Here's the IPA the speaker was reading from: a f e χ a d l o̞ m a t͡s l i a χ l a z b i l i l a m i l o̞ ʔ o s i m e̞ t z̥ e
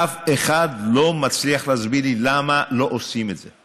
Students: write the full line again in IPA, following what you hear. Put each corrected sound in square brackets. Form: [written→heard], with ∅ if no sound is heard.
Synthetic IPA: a f e χ a d l o̞ m a t͡s l i a χ l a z b i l i l a m [i→a] l o̞ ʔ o s i m e̞ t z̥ e